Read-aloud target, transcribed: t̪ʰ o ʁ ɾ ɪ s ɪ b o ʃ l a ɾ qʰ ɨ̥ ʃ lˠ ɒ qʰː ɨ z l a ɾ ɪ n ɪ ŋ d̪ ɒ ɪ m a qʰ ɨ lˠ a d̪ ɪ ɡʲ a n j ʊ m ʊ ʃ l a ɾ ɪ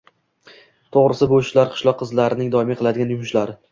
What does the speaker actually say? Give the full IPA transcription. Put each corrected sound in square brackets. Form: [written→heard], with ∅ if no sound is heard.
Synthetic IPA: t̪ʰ o ʁ ɾ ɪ s ɪ b o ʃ l a ɾ qʰ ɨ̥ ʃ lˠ ɒ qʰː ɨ z l a ɾ ɪ n ɪ ŋ d̪ ɒ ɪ m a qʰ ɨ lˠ a d̪ ɪ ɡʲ a n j ʊ m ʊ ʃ l a ɾ ɪ

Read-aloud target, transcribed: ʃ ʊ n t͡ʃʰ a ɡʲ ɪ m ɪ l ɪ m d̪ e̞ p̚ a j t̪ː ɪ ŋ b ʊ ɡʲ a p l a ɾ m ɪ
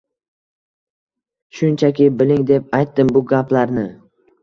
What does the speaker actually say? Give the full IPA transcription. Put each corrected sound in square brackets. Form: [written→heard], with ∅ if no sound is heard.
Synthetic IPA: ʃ ʊ n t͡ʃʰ a [ɡʲ→kʲ] ɪ [m→b] ɪ l ɪ [m→ŋ] d̪ e̞ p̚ a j t̪ː ɪ [ŋ→m] b ʊ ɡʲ a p l a ɾ [m→n] ɪ

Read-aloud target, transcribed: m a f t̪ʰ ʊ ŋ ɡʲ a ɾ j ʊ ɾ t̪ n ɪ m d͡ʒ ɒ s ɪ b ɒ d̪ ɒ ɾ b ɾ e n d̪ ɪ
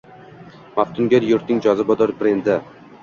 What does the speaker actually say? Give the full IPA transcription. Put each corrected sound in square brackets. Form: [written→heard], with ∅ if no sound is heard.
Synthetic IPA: m a f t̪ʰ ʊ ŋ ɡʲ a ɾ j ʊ ɾ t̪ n ɪ [m→ŋ] d͡ʒ ɒ [s→z] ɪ b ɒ d̪ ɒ ɾ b ɾ e n d̪ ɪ

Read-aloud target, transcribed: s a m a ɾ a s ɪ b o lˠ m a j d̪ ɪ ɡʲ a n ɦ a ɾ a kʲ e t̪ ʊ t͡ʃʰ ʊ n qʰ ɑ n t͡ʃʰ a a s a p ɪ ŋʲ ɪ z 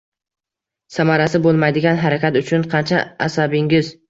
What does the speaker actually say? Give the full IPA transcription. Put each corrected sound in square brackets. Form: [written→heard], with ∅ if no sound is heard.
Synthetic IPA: s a m a ɾ a s ɪ b o lˠ m a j d̪ ɪ ɡʲ a n ɦ a ɾ a kʲ [e→a] t̪ ʊ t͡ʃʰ ʊ n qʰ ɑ n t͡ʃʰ a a s a [p→b] ɪ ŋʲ ɪ z

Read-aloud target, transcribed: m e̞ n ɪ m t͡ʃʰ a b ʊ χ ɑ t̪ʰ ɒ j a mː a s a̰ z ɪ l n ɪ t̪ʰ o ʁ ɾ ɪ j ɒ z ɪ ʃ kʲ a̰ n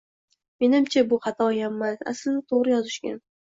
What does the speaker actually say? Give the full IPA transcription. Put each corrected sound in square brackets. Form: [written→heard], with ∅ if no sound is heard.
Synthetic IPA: m e̞ n ɪ m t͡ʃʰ a b ʊ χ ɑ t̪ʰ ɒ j a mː a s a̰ [z→s] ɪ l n ɪ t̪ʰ o ʁ ɾ ɪ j ɒ z ɪ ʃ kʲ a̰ n

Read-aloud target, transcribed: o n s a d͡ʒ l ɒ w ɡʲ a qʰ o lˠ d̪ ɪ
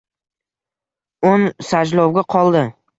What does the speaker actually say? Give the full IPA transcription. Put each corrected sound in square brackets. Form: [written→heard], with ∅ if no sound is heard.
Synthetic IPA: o n s a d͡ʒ l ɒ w ɡʲ a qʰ [o→ɒ] lˠ d̪ ɪ

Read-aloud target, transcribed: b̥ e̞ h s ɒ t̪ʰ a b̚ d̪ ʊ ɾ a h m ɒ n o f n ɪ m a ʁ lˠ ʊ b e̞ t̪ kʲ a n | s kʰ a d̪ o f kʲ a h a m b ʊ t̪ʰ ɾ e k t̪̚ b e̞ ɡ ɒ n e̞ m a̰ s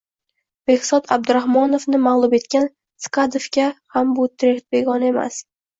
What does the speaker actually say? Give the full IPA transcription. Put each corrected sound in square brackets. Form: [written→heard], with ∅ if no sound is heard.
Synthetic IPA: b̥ e̞ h s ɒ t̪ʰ a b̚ d̪ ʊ ɾ a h m ɒ n o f n ɪ m a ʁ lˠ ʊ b e̞ t̪ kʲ a n | s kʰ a d̪ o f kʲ a h a m b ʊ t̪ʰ ɾ e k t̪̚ b e̞ ɡ ɒ n e̞ m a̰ s

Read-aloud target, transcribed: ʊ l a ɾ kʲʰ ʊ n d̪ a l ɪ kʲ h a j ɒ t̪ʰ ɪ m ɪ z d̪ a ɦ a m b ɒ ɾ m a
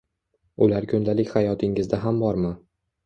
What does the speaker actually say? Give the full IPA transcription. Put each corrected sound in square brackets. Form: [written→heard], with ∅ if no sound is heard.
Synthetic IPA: ʊ l a ɾ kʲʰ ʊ n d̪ a l ɪ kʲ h a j ɒ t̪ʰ ɪ [m→ŋ] ɪ z d̪ a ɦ a m b ɒ ɾ m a

